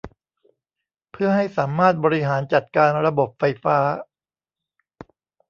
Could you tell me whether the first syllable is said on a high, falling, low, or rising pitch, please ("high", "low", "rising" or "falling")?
falling